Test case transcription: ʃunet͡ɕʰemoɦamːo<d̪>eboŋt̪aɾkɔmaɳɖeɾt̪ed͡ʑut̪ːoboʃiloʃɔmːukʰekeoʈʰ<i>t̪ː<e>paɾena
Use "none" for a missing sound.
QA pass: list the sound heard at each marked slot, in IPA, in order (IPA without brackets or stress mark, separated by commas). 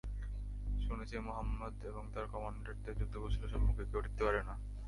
d̪, i, e